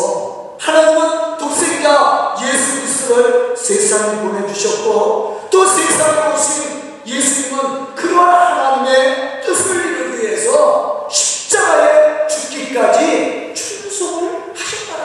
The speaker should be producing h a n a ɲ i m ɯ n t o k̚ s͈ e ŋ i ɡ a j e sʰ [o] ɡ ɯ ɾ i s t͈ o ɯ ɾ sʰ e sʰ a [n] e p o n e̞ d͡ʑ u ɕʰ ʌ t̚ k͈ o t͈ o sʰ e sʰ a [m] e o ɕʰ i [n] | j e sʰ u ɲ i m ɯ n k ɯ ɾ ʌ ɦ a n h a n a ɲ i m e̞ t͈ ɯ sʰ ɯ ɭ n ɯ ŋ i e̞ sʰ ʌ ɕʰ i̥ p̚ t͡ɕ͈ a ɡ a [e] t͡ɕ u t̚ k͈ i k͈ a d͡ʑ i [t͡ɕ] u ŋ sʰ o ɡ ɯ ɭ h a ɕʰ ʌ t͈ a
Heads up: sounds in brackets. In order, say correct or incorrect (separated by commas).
incorrect, incorrect, incorrect, correct, correct, incorrect